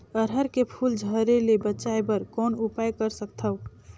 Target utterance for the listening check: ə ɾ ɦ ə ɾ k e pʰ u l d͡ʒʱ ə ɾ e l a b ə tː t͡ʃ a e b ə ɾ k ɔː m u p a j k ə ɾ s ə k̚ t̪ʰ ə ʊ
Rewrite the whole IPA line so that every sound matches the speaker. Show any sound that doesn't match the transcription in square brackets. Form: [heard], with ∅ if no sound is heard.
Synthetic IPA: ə ɾ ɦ ə ɾ k e pʰ u l d͡ʒʱ ə ɾ e l [e] b ə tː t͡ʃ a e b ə ɾ k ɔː [n] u p a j k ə ɾ s ə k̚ t̪ʰ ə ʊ